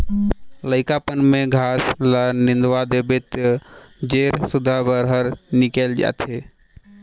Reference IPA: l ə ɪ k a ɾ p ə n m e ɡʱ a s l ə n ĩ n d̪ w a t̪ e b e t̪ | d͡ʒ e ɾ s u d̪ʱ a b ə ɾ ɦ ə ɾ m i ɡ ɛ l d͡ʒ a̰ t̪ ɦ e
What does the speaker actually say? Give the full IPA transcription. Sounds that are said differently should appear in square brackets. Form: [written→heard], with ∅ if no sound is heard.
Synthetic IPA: l ə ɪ k a [ɾ→∅] p ə n m e ɡʱ a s l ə n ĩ n d̪ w a [t̪→d̪] e b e t̪ | d͡ʒ e ɾ s u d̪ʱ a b ə ɾ ɦ ə ɾ [m→n] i [ɡ→k] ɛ l d͡ʒ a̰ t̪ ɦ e